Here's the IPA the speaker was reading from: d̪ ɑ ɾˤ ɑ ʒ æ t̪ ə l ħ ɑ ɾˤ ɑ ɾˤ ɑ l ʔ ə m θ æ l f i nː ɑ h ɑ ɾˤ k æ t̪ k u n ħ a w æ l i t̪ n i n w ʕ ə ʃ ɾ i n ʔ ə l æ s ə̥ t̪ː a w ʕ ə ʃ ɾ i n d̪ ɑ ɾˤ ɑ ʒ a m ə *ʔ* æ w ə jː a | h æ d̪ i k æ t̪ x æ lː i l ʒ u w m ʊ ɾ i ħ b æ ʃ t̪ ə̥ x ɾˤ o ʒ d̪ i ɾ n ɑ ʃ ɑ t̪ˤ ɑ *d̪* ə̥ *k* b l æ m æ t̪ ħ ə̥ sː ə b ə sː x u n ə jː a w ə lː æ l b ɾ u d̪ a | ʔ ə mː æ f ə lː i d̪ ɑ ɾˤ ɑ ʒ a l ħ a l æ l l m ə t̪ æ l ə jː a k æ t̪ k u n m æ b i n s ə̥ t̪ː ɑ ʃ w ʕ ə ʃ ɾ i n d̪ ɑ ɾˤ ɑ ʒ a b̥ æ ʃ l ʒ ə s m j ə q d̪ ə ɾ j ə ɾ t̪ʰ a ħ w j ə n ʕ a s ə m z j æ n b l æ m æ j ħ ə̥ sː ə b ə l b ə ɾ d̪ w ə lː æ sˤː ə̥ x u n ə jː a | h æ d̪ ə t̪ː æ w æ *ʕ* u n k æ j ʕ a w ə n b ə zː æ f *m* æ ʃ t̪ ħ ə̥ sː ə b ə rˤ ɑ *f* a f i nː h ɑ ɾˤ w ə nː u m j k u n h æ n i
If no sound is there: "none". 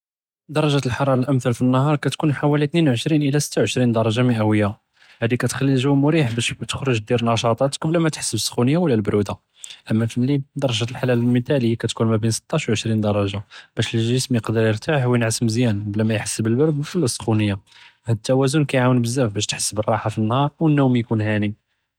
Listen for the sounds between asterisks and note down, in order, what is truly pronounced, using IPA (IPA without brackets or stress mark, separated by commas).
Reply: ʔ, t̪, k, z, b, ħ